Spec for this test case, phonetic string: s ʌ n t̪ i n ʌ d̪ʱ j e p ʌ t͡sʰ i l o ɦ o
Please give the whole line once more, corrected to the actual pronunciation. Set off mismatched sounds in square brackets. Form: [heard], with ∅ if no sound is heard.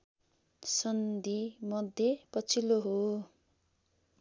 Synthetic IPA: s ʌ n [d̪] i [m] ʌ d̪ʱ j e p ʌ t͡sʰ i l o ɦ o